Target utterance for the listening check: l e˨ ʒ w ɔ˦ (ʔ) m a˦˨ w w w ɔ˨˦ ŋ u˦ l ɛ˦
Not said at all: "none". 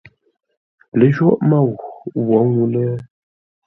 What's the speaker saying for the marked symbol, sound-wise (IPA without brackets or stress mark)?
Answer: ʔ